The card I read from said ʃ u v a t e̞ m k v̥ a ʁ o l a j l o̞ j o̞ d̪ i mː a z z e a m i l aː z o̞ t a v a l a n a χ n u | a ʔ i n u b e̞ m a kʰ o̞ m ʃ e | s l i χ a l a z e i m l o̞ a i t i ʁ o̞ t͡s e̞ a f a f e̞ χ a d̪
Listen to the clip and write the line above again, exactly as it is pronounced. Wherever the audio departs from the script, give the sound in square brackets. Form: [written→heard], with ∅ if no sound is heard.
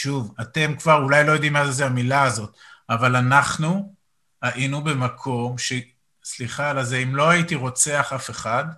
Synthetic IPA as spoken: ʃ u v a t e̞ m k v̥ a ʁ [o→u] l a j l o̞ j o̞ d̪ i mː a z z e a m i l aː z o̞ t a v a l a n a χ n u | a ʔ i n u b e̞ m a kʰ o̞ m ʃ e | s l i χ a l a z e i m l o̞ a i t i ʁ o̞ t͡s e̞ a [f→χ] a f e̞ χ a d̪